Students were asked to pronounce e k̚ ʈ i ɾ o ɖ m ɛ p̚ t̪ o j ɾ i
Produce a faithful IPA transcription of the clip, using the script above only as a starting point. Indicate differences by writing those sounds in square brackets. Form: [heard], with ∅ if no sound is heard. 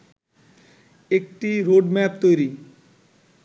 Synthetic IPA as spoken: e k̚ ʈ i ɾ o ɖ m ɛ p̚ t̪ o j ɾ i